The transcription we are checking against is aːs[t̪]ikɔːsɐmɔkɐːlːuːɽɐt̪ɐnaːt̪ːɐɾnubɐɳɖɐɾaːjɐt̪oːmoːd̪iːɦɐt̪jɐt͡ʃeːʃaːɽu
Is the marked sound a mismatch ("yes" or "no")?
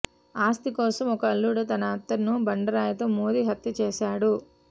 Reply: no